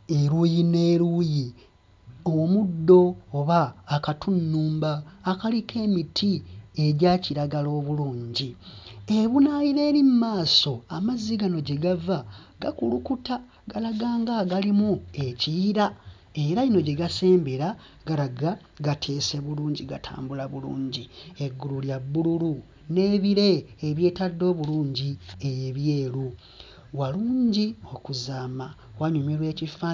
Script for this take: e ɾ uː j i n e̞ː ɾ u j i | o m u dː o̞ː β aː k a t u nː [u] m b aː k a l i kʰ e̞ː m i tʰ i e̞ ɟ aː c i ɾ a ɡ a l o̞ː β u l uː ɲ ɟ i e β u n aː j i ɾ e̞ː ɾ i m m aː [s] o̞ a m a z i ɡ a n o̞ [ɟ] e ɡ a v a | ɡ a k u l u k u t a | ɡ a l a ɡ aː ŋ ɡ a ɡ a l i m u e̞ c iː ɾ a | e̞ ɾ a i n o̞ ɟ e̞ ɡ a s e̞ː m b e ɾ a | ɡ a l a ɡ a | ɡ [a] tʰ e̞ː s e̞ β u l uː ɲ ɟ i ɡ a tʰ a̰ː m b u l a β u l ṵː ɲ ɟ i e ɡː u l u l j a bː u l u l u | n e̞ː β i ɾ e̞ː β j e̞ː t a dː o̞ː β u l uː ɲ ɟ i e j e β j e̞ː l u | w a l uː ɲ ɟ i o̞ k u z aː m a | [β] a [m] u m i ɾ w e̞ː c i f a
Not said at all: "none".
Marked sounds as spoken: uː, s, ɟ, a, w, ɲ

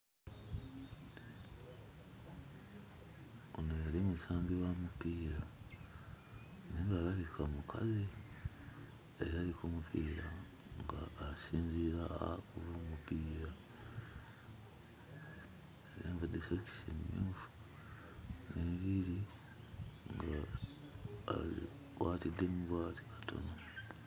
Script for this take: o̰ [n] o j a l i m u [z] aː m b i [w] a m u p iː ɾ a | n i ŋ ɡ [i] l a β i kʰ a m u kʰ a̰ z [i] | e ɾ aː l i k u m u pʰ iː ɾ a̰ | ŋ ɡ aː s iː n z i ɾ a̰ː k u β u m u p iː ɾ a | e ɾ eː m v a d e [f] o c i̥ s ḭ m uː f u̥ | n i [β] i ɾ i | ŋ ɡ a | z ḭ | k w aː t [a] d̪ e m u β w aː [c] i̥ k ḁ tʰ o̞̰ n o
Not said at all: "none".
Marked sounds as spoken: n, s, w, a, i, s, β, i, t

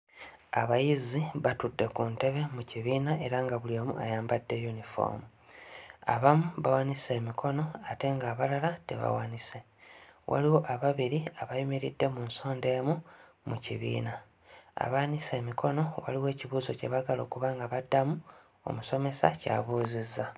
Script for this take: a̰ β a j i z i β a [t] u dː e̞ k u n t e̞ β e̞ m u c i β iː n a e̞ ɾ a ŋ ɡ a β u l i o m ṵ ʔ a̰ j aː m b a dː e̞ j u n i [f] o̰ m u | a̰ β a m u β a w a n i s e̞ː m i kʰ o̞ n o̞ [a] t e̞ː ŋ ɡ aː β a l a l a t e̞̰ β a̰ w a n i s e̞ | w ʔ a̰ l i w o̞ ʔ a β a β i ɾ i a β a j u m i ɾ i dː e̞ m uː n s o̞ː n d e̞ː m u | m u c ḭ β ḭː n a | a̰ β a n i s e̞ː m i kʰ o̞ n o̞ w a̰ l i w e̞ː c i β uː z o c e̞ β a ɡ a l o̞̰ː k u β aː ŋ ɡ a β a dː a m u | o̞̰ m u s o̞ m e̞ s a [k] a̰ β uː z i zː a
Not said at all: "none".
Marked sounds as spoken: t, f, a, c

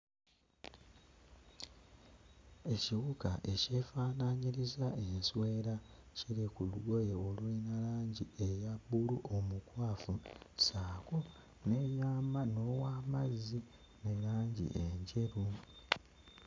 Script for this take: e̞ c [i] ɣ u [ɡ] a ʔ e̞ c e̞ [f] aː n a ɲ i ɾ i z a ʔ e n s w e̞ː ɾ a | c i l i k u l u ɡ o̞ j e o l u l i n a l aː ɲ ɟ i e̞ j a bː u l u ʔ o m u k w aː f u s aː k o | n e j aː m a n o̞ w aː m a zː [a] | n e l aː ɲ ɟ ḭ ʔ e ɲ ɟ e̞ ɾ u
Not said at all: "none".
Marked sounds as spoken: i, k, f, i

